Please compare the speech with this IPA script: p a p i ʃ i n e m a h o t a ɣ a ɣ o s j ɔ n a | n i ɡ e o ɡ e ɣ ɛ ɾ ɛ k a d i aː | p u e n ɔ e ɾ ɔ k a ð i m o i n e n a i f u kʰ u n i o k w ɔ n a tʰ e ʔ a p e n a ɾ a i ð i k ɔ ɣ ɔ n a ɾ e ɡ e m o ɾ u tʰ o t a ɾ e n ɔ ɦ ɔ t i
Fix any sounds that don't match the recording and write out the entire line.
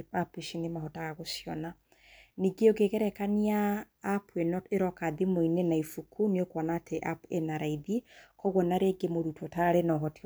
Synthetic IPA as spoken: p a p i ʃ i n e m a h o t a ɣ a ɣ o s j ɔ n a | n i ɡ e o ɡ e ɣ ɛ ɾ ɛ k a n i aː | p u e n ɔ e ɾ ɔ k a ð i m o i n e n a i f u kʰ u n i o k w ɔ n a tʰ e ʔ a p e n a ɾ a i ð i k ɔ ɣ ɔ n a ɾ e ɡ e m o ɾ u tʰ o t a ɾ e n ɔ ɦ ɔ t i